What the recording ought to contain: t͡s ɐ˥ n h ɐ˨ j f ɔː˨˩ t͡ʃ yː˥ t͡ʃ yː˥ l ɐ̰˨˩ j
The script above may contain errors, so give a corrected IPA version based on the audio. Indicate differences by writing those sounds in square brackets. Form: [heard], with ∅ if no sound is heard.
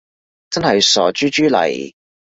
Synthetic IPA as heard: t͡s ɐ˥ n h ɐ˨ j [s] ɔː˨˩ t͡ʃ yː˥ t͡ʃ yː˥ l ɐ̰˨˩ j

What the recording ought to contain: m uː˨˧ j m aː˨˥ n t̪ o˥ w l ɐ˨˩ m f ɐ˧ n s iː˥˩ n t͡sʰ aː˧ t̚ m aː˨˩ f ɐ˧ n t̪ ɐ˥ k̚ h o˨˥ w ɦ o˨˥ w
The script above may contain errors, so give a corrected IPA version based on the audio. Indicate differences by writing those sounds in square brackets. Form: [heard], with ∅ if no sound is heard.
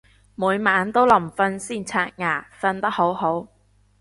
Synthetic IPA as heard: m uː˨˧ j m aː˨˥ n t̪ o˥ w l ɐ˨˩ m f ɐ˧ n s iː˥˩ n t͡sʰ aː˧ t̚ [ŋ] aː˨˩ f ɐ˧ n t̪ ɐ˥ k̚ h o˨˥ w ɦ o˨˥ w

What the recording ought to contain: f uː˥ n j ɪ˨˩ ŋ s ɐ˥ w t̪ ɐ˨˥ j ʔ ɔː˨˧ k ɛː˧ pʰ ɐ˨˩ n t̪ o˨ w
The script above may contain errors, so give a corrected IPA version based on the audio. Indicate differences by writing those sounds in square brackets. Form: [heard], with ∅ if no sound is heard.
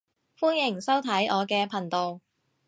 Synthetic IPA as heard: f uː˥ n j ɪ˨˩ ŋ s ɐ˥ w [t̪ʰ] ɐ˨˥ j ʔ ɔː˨˧ k ɛː˧ pʰ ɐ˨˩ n t̪ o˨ w

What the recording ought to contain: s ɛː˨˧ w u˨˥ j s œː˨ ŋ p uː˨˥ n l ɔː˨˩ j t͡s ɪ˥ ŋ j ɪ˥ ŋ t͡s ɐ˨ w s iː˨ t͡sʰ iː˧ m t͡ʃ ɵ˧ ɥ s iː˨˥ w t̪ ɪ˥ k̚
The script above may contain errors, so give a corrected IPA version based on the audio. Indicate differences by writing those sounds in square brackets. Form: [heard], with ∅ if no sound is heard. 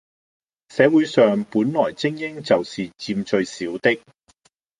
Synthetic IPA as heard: s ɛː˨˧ w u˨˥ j s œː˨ ŋ p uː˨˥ n l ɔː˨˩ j t͡s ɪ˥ ŋ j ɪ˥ ŋ t͡s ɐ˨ w s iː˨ [t͡s] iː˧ m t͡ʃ ɵ˧ ɥ s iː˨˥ w t̪ ɪ˥ k̚

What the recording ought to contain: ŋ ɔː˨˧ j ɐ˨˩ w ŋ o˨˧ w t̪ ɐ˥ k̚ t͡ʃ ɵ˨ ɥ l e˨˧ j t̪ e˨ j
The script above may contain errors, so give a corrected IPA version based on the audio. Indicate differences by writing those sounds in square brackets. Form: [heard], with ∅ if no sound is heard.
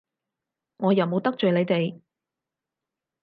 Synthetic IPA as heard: ŋ ɔː˨˧ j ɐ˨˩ w [m] o˨˧ w t̪ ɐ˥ k̚ t͡ʃ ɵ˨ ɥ l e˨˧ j t̪ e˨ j

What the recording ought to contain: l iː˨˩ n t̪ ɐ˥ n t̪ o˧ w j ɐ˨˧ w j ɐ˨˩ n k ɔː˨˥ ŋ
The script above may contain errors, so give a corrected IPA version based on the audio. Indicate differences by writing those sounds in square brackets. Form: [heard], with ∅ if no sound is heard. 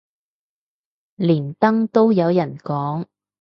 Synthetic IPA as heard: l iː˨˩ n t̪ ɐ˥ [ŋ] t̪ [o˥] w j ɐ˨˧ w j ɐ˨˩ n k ɔː˨˥ ŋ

